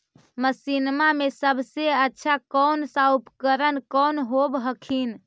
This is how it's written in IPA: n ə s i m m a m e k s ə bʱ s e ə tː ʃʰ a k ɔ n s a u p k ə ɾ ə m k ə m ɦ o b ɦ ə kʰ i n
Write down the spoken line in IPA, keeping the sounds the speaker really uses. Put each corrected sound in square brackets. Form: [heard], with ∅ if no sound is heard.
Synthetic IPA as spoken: [m] ə s i [n] m a m e [∅] s ə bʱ s e ə tː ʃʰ a k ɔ n s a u p k ə ɾ ə [n] k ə [n] ɦ o b ɦ ə kʰ i n